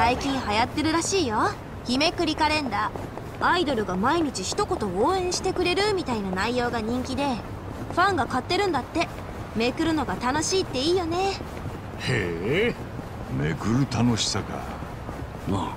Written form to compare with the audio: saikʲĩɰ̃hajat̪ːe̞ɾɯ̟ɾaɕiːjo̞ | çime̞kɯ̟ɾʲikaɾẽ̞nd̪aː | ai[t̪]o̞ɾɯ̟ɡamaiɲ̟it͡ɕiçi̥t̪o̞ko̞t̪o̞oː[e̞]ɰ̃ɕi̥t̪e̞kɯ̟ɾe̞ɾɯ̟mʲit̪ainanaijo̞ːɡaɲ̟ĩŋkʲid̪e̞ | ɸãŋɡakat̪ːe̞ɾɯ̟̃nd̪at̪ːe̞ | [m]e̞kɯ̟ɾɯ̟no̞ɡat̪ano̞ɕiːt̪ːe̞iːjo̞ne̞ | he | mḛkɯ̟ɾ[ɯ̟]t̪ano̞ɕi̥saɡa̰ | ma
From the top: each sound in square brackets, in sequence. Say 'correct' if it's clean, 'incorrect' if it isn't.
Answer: incorrect, incorrect, correct, correct

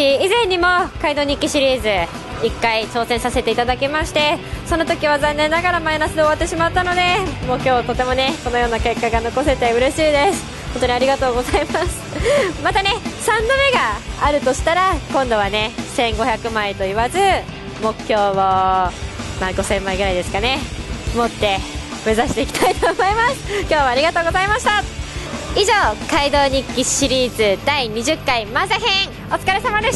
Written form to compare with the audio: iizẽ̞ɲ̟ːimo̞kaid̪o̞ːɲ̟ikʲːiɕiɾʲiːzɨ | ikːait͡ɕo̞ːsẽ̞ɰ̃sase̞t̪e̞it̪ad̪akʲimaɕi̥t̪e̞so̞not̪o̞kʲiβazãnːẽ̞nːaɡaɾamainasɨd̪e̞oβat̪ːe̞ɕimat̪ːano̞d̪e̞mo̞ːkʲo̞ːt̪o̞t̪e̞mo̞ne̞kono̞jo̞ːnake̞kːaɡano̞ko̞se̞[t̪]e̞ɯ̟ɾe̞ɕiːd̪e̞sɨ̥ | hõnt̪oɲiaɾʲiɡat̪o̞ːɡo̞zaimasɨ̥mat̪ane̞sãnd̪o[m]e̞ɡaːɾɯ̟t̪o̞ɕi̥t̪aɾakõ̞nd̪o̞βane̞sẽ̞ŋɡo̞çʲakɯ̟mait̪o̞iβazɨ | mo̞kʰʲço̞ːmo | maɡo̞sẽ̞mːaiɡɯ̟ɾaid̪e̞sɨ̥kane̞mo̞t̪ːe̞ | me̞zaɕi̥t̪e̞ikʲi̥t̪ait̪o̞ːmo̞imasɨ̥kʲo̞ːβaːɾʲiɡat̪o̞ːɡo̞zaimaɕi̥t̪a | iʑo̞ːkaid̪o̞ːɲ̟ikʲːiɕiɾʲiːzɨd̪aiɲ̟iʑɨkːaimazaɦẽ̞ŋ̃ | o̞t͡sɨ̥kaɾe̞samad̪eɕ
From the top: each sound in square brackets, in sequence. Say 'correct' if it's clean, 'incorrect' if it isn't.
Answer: correct, correct

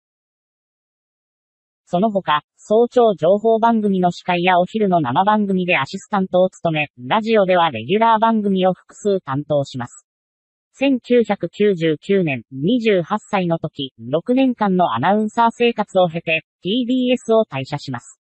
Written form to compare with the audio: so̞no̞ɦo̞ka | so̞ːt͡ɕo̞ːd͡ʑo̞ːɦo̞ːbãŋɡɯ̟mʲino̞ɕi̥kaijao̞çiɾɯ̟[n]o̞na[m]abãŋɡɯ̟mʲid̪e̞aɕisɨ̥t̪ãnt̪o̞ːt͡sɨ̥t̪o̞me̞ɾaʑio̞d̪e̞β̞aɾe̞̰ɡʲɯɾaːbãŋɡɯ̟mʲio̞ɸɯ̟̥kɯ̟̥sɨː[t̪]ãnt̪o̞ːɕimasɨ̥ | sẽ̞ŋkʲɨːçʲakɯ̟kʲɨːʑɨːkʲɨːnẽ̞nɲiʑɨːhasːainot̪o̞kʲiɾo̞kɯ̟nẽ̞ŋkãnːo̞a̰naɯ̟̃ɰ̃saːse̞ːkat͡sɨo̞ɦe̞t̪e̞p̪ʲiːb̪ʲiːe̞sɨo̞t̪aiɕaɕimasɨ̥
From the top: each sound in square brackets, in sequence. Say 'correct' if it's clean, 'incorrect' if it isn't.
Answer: correct, correct, correct

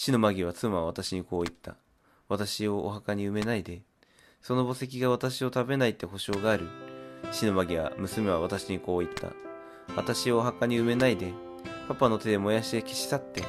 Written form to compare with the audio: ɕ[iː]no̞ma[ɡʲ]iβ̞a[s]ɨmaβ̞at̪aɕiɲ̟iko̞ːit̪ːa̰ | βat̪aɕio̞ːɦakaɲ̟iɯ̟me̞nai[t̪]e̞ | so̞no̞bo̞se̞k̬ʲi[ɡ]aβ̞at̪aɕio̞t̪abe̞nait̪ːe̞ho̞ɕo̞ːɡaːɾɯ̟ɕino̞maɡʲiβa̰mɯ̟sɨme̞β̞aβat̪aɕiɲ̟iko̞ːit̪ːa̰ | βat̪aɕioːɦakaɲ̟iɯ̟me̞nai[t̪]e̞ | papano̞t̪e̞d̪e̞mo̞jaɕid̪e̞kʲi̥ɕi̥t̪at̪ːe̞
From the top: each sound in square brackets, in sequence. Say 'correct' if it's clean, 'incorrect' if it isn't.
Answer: incorrect, correct, incorrect, incorrect, correct, incorrect

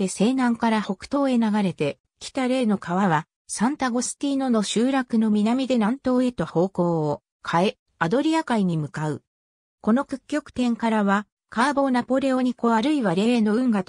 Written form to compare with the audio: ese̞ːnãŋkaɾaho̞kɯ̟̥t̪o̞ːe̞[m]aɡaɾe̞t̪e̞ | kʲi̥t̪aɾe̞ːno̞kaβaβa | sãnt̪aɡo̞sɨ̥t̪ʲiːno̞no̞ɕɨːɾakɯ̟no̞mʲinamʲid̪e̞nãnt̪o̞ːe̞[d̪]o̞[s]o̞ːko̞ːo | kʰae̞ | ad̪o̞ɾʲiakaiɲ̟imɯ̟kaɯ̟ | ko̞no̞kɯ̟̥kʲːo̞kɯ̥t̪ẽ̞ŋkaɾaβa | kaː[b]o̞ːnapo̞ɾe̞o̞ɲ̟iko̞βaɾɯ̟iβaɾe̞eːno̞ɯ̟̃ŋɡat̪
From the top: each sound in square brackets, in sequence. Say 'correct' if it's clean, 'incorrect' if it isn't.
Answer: incorrect, incorrect, incorrect, correct

